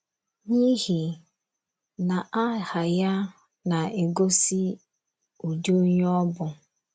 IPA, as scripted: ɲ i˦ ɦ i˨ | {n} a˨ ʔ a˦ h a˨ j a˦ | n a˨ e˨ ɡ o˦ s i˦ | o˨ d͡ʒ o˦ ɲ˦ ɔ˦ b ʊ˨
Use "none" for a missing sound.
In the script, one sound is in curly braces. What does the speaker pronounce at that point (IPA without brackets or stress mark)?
n